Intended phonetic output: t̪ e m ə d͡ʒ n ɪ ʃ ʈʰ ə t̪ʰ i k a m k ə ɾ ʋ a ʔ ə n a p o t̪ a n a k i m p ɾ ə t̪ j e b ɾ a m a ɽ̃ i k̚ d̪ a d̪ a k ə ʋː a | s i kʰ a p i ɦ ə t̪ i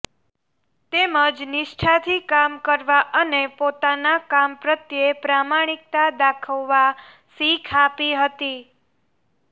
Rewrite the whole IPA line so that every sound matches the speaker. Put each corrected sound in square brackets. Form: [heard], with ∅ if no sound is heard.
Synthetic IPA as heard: t̪ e m ə d͡ʒ n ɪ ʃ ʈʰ [a] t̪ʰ i k a m k ə ɾ ʋ a ʔ ə n [e] p o t̪ a n a k [a] m p ɾ ə t̪ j e [p] ɾ a m a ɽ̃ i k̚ [t̪] a d̪ a [kʰ] ə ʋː a | s i kʰ a p i ɦ ə t̪ i